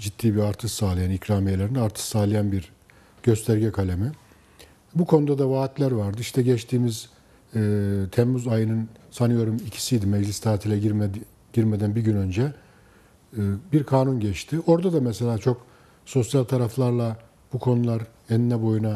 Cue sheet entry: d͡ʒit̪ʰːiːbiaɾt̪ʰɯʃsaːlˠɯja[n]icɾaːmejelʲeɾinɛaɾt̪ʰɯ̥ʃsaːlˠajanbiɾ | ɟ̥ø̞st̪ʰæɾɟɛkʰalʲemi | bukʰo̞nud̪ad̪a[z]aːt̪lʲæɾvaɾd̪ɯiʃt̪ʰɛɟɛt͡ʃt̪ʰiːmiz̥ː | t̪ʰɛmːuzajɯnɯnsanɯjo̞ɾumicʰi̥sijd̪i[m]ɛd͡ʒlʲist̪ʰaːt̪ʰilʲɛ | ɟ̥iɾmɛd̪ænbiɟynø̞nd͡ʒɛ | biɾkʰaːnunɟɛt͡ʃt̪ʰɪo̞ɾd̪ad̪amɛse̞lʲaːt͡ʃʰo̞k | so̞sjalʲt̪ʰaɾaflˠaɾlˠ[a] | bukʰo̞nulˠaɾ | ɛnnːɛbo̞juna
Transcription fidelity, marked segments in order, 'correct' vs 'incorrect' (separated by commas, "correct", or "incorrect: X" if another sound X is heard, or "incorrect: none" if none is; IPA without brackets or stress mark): correct, incorrect: v, correct, correct